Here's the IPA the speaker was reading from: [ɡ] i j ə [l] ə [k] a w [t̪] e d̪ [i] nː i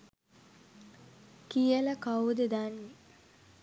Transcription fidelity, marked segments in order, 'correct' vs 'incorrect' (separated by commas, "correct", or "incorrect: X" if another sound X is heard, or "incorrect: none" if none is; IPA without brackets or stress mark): incorrect: k, correct, correct, incorrect: d̪, incorrect: a